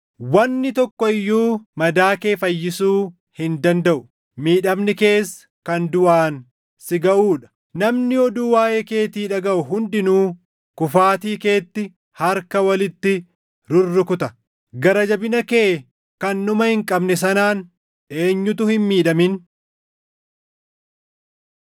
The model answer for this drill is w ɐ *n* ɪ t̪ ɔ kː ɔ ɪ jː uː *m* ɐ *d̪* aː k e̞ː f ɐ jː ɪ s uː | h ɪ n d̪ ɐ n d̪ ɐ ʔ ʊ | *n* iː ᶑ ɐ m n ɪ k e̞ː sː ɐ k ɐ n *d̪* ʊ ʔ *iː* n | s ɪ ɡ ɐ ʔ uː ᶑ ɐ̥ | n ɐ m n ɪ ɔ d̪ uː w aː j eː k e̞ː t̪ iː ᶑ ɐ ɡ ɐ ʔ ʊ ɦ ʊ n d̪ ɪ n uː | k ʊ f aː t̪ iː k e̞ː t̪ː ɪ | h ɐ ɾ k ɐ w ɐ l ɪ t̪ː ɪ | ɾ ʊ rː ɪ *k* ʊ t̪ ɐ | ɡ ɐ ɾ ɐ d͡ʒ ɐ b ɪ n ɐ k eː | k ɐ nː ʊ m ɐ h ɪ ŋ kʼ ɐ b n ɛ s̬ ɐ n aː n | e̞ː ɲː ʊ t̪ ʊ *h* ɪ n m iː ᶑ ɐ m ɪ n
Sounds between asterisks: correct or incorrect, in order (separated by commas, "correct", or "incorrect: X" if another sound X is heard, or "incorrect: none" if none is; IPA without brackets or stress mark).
incorrect: nː, correct, correct, incorrect: m, correct, incorrect: aː, correct, correct